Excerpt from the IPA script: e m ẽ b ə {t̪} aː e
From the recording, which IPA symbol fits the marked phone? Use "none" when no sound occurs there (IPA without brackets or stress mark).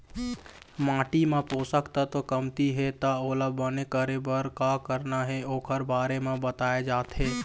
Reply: t̪